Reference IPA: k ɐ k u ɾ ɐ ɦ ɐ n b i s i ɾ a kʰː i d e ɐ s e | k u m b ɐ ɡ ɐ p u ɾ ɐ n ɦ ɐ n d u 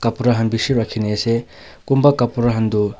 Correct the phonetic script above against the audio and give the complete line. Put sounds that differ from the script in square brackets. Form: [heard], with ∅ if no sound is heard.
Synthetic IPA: k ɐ [p] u ɾ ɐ ɦ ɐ n b i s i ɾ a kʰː i [n] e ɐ s e | k u m b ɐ [k] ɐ p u ɾ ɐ [∅] ɦ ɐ n d u